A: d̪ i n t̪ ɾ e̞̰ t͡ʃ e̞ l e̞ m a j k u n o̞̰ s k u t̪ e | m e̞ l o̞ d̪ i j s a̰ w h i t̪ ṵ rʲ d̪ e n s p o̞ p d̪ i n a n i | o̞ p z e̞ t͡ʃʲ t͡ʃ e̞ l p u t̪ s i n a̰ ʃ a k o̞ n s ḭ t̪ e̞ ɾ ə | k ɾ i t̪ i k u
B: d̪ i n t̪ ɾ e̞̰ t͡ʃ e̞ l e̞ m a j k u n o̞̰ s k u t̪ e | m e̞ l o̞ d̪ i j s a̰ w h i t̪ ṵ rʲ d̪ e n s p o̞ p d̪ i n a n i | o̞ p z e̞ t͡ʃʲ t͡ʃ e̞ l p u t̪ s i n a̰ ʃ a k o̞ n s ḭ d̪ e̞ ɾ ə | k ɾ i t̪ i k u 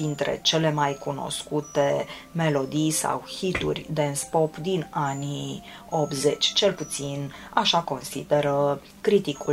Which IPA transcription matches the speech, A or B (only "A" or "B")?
B